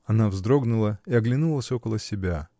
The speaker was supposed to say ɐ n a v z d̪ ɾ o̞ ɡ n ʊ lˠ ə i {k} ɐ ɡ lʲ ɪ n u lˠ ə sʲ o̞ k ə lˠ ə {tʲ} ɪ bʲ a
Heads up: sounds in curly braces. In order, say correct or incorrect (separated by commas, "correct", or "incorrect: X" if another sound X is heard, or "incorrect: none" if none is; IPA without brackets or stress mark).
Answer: incorrect: none, incorrect: sʲ